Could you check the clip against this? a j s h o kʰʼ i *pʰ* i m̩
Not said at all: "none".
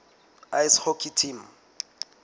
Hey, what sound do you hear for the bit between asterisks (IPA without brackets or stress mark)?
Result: tʰ